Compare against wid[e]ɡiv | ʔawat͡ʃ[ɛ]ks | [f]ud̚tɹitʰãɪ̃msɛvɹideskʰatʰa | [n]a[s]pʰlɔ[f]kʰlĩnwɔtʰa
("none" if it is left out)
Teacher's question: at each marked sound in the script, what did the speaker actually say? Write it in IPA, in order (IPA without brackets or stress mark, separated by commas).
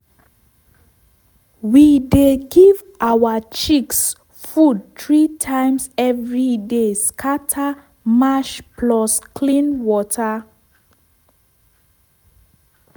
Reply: e, i, f, m, ʃ, s